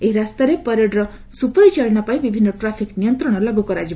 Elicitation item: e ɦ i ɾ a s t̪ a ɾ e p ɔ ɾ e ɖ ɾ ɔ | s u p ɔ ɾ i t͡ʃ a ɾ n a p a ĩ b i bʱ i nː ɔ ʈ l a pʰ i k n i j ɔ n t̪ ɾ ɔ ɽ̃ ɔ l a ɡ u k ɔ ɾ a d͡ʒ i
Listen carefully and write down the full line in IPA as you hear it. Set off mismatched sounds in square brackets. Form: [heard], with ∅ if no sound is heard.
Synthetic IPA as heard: e ɦ i ɾ a s t̪ a ɾ e p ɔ ɾ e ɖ ɾ ɔ | s u p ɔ ɾ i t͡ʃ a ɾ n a p a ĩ b i bʱ i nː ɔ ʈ [ɾ] a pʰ i k n i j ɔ n t̪ ɾ ɔ ɽ̃ ɔ l a ɡ u k ɔ ɾ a d͡ʒ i